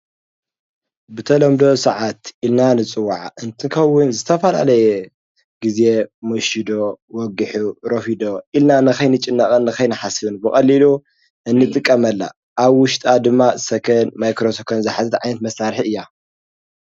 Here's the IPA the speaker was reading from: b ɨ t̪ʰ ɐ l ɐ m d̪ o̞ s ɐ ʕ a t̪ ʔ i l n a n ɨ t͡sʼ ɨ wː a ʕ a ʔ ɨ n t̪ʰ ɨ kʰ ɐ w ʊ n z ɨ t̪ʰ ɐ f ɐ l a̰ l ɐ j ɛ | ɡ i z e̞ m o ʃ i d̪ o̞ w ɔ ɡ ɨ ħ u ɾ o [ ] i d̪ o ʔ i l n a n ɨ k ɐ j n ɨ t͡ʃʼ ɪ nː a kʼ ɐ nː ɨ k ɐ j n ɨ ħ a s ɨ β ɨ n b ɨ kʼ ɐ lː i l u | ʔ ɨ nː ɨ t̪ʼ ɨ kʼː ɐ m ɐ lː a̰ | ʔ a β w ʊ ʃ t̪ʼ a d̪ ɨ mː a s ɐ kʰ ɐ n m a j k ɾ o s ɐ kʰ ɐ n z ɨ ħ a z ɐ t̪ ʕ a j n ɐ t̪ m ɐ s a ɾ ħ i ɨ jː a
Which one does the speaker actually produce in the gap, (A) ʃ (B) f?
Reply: B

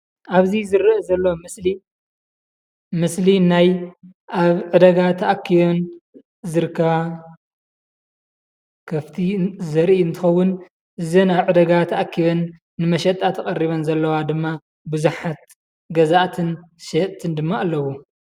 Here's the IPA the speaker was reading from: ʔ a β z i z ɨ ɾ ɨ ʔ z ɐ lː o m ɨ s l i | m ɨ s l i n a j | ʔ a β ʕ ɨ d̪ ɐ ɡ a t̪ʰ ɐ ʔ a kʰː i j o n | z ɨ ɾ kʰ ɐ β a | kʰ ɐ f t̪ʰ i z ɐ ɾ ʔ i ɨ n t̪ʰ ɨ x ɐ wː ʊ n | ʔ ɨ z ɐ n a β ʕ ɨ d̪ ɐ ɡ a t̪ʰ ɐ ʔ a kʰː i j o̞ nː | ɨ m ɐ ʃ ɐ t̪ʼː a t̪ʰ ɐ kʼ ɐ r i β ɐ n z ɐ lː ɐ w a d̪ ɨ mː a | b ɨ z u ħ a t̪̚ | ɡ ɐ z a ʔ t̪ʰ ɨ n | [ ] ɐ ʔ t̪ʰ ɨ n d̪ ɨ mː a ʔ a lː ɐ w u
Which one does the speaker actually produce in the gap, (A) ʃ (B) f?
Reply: A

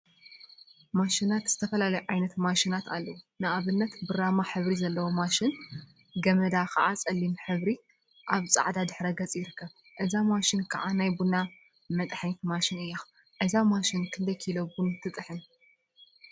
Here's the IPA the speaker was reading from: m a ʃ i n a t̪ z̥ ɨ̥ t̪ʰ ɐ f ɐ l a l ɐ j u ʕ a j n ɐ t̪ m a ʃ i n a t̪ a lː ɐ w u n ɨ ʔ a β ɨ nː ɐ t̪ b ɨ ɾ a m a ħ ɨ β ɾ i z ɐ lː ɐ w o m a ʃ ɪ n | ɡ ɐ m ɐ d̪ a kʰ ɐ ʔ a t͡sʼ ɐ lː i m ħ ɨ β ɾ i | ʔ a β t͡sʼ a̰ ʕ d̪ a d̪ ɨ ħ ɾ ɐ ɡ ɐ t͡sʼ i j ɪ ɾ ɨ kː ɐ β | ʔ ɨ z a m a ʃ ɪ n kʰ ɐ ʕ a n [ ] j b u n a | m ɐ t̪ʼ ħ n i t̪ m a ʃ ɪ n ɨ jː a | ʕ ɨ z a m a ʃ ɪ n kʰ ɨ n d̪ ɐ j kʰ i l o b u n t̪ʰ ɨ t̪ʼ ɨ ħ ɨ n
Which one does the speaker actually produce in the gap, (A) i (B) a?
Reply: B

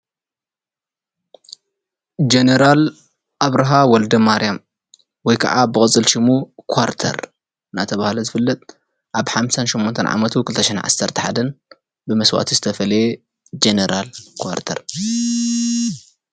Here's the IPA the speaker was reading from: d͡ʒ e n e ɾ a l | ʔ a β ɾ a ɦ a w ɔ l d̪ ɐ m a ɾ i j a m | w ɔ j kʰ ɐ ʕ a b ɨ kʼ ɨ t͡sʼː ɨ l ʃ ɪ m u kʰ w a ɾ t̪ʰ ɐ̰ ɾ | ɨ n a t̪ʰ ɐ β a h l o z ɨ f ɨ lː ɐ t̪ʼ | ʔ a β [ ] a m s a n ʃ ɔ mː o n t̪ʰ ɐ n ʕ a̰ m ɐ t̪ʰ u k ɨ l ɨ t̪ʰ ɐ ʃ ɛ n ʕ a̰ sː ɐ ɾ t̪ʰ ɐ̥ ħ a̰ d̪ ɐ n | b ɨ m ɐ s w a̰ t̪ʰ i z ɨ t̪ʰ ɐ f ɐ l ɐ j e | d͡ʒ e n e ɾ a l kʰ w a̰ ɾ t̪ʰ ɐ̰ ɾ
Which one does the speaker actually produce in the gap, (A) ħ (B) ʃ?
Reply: A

